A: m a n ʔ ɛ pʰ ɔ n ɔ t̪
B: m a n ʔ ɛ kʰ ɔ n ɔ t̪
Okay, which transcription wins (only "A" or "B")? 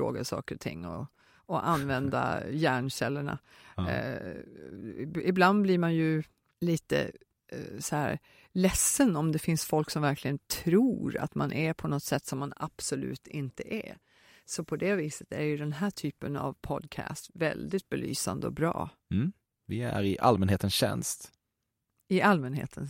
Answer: A